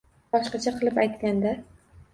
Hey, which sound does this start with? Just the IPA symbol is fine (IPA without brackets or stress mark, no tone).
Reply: b